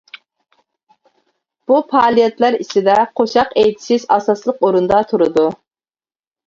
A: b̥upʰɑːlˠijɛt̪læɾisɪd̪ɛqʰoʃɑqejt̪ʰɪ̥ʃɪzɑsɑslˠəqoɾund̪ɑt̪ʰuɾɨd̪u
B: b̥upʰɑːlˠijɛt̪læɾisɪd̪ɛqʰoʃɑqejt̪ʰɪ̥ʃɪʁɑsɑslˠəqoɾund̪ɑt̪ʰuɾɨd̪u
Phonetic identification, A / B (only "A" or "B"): A